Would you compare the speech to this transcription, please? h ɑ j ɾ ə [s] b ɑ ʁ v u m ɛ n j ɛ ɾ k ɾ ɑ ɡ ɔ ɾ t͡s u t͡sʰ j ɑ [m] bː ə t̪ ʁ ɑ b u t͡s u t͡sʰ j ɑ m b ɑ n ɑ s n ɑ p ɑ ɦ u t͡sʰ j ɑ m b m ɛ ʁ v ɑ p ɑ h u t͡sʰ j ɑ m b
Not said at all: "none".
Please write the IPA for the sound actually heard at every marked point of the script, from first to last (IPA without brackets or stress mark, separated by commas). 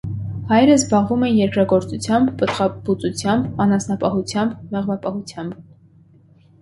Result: z, m